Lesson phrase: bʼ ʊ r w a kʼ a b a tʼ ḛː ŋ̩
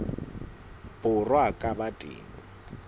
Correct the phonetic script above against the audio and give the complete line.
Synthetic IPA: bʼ ʊ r w a kʼ a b a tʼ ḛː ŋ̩